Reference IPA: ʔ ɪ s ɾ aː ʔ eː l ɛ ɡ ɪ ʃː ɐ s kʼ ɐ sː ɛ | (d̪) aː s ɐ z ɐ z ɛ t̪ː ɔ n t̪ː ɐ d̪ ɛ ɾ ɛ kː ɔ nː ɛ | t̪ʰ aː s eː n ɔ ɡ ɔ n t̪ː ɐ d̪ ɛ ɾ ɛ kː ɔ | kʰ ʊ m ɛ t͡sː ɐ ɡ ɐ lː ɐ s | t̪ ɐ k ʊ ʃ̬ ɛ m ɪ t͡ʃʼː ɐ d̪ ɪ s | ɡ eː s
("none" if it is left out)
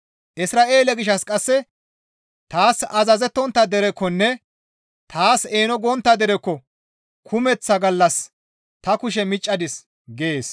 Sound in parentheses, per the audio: t̪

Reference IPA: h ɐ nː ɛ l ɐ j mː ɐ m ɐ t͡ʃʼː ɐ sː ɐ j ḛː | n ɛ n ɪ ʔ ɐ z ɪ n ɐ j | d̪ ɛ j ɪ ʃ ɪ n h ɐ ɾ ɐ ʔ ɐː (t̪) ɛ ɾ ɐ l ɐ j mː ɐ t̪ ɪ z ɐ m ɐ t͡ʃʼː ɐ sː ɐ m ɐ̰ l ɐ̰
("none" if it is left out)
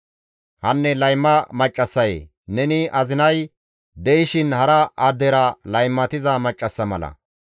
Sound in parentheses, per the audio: d̪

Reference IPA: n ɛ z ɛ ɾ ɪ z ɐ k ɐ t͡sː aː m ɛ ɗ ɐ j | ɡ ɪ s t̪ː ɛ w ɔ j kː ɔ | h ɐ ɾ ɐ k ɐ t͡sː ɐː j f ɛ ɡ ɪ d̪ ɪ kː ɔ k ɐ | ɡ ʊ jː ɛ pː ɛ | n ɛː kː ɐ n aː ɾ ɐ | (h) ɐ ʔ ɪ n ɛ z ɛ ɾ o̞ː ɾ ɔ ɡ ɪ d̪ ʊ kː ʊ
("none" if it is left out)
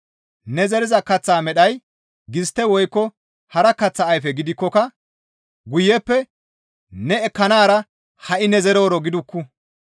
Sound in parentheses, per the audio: h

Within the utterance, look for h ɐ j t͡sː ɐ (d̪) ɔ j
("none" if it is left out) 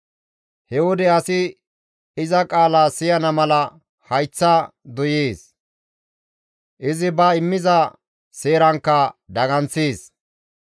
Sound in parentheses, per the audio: d̪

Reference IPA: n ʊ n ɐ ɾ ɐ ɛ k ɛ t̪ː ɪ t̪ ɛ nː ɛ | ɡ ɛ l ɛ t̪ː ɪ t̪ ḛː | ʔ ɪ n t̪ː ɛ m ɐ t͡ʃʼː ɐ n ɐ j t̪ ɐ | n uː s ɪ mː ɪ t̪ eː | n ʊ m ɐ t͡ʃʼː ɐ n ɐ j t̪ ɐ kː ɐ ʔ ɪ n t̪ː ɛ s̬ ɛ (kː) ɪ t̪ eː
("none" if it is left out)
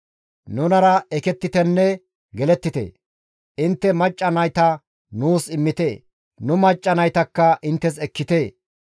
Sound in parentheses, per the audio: kː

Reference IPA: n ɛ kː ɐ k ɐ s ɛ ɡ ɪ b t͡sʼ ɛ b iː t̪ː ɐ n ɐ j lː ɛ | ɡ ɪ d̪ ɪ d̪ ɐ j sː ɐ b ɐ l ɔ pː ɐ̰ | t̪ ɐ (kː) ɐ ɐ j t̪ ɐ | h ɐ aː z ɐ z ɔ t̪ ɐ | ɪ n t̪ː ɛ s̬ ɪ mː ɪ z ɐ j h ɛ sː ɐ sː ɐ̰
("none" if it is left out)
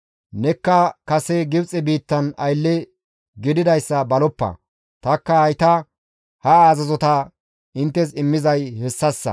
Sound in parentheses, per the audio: kː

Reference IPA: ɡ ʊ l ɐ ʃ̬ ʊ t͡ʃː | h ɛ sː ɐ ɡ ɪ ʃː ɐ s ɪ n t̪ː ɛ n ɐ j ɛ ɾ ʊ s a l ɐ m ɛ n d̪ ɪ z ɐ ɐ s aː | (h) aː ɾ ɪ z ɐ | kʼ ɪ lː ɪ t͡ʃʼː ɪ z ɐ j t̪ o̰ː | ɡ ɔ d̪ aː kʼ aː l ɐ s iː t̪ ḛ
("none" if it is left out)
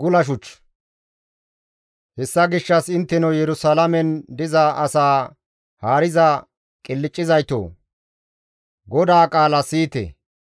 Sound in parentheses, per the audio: h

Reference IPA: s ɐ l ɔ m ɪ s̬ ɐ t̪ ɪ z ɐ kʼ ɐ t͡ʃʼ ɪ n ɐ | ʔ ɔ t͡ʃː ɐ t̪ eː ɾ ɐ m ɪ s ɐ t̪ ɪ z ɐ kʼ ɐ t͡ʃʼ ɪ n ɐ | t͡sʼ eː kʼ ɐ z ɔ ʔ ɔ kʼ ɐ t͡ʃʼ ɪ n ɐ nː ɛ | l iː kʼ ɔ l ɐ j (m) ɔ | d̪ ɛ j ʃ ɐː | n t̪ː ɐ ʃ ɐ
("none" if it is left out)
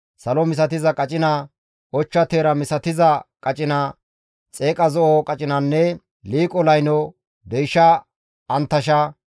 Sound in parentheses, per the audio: n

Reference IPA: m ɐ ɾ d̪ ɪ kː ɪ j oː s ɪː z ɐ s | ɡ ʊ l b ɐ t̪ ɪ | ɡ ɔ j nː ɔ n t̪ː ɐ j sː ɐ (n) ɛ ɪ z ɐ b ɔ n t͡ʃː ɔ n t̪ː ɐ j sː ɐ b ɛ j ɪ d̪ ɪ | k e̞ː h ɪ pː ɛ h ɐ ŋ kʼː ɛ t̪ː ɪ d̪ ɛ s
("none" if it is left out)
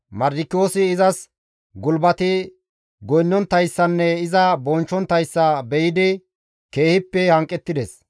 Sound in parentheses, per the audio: nː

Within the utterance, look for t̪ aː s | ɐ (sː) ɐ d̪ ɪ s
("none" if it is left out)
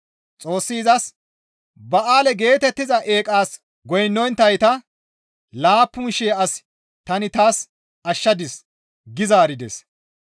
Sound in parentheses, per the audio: ʃː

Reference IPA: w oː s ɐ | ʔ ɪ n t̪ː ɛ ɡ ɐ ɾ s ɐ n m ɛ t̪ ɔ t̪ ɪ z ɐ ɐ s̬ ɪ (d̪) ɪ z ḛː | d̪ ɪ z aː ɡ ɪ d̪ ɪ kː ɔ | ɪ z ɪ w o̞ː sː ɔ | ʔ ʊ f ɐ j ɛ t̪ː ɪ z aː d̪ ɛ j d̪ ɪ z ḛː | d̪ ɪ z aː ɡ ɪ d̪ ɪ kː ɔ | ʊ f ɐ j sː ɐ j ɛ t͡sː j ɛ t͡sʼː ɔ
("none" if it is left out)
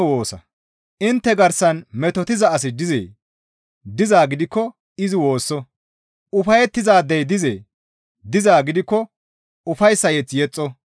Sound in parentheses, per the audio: d̪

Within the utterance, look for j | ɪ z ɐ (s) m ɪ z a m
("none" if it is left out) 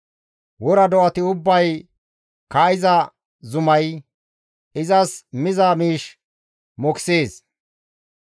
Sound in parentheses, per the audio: s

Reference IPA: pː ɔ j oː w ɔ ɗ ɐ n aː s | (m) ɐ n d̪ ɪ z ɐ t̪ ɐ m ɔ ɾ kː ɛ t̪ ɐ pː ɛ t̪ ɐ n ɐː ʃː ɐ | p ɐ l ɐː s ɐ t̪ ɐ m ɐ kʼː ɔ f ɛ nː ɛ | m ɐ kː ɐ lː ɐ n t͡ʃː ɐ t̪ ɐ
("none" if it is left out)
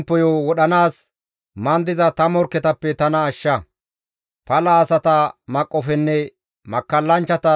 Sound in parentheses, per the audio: m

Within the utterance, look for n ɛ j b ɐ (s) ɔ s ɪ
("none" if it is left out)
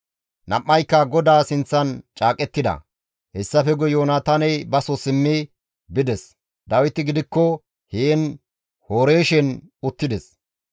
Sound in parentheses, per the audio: s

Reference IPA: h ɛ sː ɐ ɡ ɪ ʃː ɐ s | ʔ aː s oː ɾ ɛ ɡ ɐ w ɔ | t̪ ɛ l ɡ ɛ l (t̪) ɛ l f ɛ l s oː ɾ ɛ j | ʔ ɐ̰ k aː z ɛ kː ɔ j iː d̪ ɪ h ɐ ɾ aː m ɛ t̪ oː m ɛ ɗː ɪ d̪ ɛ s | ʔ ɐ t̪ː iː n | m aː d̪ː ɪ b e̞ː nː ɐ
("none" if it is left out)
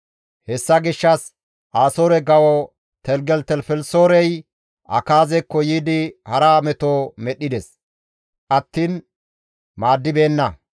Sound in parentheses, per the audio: t̪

